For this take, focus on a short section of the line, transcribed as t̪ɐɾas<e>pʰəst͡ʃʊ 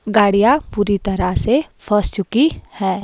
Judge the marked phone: correct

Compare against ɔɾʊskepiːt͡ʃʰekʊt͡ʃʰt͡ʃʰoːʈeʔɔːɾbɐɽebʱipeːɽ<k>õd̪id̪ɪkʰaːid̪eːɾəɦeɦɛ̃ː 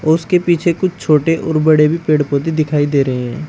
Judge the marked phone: incorrect: p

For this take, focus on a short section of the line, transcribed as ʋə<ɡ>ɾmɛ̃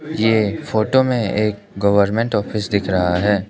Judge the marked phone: incorrect: none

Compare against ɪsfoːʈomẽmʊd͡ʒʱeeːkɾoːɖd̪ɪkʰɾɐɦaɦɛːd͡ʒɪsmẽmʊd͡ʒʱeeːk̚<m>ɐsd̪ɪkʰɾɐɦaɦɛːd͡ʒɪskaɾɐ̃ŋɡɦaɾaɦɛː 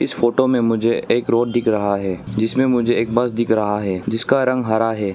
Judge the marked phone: incorrect: b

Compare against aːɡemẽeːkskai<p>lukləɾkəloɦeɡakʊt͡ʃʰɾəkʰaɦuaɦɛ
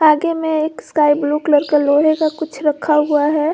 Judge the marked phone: incorrect: b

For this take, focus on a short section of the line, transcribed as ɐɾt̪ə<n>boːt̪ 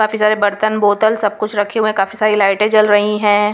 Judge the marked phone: correct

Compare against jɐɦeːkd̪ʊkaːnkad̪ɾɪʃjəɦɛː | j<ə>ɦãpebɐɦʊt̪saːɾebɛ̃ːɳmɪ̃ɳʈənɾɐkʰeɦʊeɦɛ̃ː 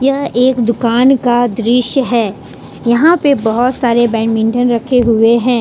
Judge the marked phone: incorrect: ɐ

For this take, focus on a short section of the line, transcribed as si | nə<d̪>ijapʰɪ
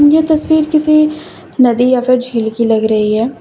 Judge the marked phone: correct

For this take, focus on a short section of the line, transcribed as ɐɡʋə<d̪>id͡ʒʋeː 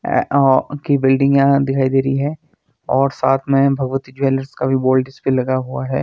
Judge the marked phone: incorrect: t̪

